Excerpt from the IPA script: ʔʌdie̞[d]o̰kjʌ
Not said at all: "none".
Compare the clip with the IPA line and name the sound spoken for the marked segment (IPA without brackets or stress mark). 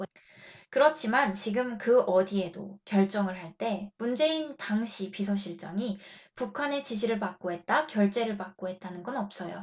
d